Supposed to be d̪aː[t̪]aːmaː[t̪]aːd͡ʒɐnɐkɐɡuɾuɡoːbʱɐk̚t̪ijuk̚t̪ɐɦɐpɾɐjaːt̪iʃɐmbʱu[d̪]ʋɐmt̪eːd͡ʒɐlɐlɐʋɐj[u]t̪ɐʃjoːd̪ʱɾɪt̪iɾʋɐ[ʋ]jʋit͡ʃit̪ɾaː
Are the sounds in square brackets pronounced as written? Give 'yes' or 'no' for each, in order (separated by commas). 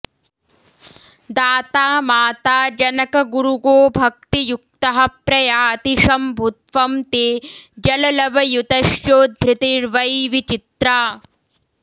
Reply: yes, yes, no, yes, no